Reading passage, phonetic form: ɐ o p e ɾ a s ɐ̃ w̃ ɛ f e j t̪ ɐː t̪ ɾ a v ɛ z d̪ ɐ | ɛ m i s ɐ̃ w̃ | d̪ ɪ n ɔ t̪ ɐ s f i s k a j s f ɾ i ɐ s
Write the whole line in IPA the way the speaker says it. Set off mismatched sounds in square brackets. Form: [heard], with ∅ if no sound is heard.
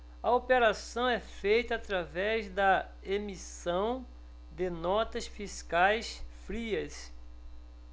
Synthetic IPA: ɐ o p e ɾ a s ɐ̃ w̃ ɛ f e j t̪ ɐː t̪ ɾ a v ɛ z d̪ ɐ | [e] m i s ɐ̃ w̃ | d̪ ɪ n ɔ t̪ ɐ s f i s k a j s f ɾ i ɐ s